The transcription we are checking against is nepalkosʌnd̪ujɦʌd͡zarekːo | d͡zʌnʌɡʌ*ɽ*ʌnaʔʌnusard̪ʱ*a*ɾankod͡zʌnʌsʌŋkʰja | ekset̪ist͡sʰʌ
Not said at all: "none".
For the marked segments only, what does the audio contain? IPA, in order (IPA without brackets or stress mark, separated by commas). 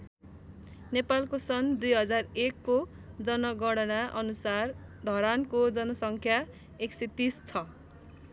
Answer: ɽ, ʌ